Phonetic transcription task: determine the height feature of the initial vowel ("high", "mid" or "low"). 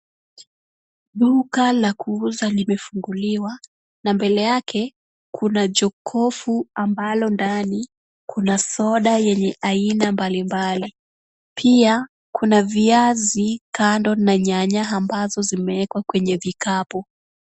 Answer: high